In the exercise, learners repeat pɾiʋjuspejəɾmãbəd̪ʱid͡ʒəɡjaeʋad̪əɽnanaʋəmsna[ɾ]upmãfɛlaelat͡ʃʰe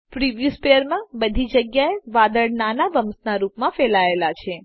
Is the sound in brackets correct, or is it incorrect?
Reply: correct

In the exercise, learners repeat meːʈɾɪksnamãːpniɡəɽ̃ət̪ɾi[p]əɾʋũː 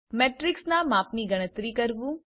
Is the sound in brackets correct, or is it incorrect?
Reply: incorrect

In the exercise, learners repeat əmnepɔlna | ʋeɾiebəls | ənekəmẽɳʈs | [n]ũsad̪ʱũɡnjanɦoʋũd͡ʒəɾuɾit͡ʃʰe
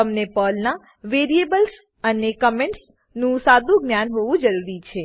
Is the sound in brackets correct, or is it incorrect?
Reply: correct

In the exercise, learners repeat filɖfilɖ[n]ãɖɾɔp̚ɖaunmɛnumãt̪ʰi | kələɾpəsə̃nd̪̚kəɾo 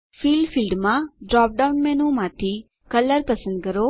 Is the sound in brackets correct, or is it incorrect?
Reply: incorrect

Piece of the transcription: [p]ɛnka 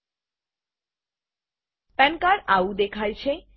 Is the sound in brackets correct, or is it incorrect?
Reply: correct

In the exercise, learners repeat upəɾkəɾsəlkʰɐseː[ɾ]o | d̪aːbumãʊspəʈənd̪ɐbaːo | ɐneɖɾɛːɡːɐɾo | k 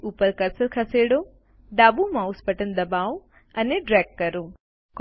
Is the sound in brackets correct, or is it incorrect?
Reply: incorrect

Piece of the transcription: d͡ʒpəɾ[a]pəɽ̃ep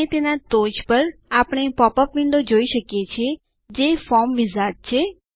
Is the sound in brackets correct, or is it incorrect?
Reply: correct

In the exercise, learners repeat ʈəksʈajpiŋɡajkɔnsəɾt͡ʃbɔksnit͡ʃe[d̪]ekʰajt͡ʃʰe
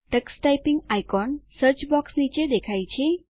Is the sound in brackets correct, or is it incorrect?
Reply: correct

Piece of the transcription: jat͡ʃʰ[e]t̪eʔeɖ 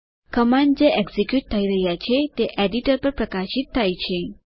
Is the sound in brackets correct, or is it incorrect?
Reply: correct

